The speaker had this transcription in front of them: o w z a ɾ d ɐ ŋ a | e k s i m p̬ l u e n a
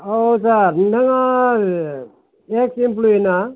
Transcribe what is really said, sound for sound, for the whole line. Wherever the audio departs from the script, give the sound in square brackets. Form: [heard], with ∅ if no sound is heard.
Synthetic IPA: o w [s] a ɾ [n] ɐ ŋ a | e k s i m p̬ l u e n a